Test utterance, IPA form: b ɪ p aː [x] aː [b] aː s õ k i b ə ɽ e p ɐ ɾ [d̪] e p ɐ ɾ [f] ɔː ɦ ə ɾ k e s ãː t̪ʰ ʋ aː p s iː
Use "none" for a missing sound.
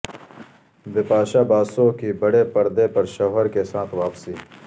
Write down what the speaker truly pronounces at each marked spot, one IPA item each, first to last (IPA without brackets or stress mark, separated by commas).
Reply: ʃ, b, d̪, ʃ